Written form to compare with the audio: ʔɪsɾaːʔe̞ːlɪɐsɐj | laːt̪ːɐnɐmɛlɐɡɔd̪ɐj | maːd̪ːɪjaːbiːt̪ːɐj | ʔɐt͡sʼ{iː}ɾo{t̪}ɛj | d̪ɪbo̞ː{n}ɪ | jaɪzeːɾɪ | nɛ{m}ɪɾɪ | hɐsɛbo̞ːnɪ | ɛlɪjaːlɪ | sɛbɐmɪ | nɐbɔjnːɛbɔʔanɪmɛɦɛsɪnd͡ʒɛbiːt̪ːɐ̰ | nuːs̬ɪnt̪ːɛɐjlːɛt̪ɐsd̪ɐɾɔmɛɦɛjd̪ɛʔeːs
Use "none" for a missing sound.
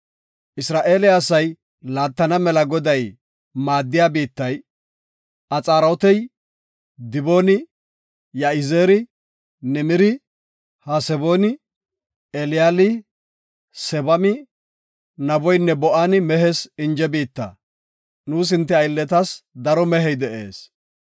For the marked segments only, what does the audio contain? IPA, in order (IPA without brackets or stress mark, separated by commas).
aː, t̪, n, m